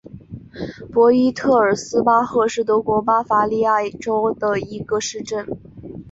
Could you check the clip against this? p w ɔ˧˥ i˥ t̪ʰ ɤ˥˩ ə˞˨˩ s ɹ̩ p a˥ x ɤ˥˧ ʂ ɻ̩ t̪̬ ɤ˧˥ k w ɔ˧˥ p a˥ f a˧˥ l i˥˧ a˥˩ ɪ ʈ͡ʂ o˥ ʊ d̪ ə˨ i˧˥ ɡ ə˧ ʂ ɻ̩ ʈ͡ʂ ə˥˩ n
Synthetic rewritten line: p w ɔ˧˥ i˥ t̪ʰ ɤ˥˩ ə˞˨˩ s ɹ̩ p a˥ x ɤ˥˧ ʂ ɻ̩ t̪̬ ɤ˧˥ k w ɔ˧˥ p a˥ f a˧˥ l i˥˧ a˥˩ ɪ ʈ͡ʂ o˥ ʊ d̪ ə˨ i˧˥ ɡ ə˧ ʂ ɻ̩ ʈ͡ʂ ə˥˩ n

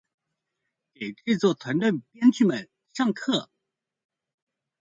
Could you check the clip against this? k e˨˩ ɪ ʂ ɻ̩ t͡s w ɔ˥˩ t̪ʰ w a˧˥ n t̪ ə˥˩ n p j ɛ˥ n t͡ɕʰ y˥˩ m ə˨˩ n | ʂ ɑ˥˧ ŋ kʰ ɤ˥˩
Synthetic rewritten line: k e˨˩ ɪ ʈ͡ʂ ɻ̩ t͡s w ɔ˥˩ t̪ʰ w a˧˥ n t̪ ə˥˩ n p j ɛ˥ n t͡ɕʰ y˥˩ m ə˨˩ n | ʂ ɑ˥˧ ŋ kʰ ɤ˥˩

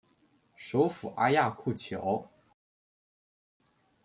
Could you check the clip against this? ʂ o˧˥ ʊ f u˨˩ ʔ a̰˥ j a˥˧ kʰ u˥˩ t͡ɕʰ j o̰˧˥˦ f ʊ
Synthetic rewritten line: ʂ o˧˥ ʊ f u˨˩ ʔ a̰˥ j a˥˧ kʰ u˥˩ t͡ɕʰ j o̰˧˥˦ ʊ

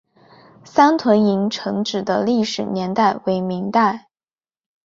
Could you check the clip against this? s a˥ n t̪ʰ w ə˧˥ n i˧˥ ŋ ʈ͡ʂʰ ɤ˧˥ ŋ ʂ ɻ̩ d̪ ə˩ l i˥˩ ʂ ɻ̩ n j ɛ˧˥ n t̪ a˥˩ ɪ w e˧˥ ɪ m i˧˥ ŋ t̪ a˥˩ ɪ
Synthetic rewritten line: s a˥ n t̪ʰ w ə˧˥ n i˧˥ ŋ ʈ͡ʂʰ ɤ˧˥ ŋ ʈ͡ʂ ɻ̩ d̪ ə˦ l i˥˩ ʂ ɻ̩ n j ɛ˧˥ n t̪ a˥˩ ɪ w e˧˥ ɪ m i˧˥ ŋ t̪ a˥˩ ɪ

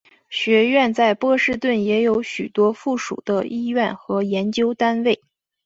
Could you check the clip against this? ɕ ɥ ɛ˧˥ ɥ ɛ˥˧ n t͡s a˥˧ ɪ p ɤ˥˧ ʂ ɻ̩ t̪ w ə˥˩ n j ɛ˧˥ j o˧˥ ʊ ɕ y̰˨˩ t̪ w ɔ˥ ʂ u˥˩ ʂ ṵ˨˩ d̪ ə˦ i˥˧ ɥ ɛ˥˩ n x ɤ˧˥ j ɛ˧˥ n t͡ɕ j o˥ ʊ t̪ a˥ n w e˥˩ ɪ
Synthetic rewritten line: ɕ ɥ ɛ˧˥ ɥ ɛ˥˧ n t͡s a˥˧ ɪ p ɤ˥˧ ʂ ɻ̩ t̪ w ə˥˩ n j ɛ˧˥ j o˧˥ ʊ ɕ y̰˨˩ t̪ w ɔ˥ f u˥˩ ʂ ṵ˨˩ d̪ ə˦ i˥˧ ɥ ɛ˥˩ n x ɤ˧˥ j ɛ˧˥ n t͡ɕ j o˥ ʊ t̪ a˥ n w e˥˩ ɪ

